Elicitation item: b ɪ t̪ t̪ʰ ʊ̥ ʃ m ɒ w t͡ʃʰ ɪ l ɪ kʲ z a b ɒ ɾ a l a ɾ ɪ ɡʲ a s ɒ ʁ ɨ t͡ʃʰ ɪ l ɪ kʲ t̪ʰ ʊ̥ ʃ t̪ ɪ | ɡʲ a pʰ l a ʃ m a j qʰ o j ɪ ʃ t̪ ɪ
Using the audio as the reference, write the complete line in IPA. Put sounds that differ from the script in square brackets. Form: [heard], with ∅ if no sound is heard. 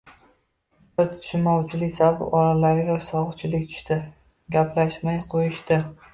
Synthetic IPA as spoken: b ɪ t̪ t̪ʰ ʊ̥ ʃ m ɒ w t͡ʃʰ ɪ l ɪ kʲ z a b ɒ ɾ a l a ɾ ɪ ɡʲ a s ɒ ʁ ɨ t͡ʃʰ ɪ l ɪ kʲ t̪ʰ ʊ̥ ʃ t̪ ɪ | ɡʲ a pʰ l a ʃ m a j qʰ o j ɪ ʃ t̪ ɪ